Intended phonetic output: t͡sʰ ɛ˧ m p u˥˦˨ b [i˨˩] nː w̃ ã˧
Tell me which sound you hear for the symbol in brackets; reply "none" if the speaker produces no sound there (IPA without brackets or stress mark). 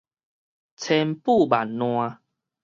a˨˩